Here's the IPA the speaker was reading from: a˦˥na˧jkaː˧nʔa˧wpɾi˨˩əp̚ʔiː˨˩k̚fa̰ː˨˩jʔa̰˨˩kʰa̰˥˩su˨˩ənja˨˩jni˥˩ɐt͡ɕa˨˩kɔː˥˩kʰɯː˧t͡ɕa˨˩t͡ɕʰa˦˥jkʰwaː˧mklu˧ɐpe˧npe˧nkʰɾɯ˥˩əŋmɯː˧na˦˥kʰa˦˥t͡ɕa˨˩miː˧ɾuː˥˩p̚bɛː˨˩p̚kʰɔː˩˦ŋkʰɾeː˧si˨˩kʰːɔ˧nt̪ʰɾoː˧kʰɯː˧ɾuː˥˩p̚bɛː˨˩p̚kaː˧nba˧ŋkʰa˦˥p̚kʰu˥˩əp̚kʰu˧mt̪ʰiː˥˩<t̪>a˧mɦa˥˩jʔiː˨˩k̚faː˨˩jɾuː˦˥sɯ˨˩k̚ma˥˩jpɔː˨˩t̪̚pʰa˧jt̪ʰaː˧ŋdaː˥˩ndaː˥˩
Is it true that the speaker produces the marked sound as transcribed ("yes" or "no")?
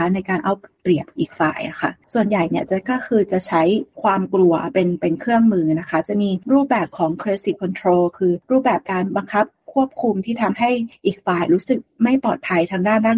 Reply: no